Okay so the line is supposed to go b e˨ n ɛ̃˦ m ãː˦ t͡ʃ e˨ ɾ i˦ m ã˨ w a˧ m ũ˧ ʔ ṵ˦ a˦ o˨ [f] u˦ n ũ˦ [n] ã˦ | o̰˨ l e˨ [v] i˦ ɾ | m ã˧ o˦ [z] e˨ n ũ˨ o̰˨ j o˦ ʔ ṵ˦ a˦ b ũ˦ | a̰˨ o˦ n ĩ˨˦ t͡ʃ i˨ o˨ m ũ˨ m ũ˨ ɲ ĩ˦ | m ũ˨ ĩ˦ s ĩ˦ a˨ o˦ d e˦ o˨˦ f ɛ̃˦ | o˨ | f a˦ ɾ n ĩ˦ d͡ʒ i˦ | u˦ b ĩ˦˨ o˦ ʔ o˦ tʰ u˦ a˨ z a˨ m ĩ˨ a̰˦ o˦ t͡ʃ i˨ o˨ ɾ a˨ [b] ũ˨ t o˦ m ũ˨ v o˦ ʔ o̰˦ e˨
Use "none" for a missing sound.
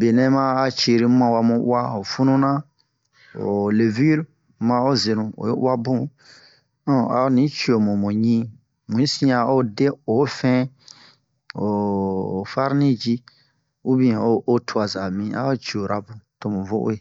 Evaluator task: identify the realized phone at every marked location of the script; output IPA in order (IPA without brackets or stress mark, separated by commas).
f, n, v, z, b